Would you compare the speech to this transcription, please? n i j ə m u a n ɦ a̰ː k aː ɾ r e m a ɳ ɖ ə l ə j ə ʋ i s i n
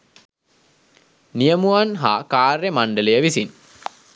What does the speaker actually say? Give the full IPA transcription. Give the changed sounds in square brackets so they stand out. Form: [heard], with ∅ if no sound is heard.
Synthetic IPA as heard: n i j ə m u a n ɦ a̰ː k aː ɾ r e m a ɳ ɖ ə l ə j ə ʋ i s i n